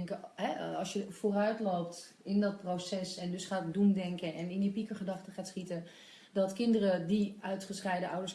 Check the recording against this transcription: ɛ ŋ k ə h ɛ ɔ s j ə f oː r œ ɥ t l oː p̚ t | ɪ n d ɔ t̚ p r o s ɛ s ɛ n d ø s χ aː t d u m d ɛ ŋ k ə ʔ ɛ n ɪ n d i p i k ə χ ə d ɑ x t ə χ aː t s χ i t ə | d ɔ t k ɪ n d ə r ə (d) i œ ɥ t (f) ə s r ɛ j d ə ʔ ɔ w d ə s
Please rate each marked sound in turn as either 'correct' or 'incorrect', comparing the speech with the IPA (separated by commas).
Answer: correct, incorrect